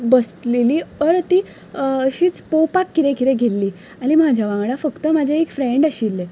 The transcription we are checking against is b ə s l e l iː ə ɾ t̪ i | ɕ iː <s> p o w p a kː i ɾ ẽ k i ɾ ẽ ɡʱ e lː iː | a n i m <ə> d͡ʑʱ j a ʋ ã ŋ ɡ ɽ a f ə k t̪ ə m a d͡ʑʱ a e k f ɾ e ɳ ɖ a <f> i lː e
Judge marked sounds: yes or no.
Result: no, no, no

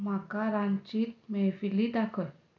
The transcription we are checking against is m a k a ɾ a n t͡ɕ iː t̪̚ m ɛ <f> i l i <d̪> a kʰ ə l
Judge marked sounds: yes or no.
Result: yes, yes

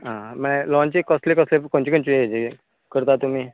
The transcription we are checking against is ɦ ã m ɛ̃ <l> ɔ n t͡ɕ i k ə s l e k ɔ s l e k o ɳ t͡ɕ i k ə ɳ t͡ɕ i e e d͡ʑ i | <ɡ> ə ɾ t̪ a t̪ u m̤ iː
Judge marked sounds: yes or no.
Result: yes, no

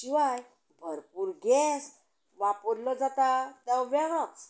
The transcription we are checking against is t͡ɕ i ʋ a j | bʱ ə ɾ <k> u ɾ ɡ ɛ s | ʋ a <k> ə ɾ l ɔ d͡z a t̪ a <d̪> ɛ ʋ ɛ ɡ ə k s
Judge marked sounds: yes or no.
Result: no, no, no

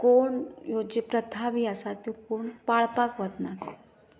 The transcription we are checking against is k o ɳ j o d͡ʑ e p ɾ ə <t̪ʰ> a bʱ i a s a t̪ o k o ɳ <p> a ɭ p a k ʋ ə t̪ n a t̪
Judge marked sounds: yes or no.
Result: yes, yes

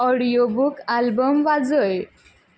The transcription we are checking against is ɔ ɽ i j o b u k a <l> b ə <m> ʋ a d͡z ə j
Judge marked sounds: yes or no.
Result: yes, yes

